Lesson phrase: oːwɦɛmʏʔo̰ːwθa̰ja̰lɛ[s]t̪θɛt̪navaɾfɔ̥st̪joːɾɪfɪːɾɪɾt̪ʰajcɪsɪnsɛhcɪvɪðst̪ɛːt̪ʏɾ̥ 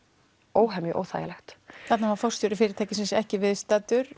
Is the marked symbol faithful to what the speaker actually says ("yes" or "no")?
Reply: no